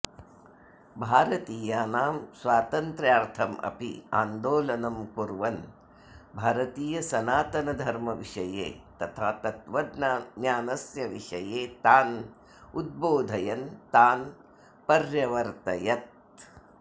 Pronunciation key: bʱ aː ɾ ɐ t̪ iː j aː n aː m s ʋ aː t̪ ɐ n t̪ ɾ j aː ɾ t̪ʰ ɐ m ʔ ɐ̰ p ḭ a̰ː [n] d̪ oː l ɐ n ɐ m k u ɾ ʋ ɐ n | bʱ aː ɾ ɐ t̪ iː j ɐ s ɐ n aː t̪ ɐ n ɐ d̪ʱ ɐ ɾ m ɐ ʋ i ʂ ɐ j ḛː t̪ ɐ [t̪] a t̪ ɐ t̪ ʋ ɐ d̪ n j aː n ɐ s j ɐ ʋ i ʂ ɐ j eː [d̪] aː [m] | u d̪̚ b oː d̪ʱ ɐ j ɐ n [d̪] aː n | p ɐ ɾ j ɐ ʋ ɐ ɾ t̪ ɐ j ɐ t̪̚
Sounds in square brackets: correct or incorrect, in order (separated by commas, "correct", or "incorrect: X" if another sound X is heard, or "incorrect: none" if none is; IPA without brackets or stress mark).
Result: correct, incorrect: t̪ʰ, incorrect: t̪, incorrect: n, incorrect: t̪